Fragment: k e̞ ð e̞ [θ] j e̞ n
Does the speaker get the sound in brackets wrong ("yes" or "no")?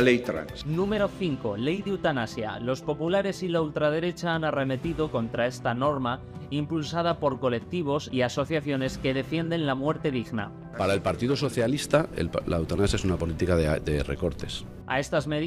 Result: yes